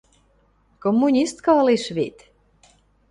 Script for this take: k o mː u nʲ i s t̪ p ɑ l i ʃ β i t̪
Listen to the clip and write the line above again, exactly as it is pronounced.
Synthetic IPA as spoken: k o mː u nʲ i s t̪ k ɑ l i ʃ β i t̪